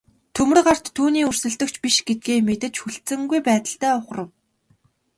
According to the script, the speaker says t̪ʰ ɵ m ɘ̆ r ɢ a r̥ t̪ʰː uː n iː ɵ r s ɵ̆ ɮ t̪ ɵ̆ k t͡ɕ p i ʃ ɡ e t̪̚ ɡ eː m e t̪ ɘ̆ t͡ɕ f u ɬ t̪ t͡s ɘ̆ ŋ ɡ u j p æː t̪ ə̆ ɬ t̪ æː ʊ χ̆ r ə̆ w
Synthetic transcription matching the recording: t̪ʰ ɵ m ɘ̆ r ɢ a r̥ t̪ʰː uː n iː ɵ r s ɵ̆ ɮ t̪ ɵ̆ k t͡ɕ p i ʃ ɡ e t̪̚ ɡ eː m e t̪ ɘ̆ t͡ɕ x u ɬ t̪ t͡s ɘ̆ ŋ ɡ u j p æː t̪ ə̆ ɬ t̪ æː ʊ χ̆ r ə̆ w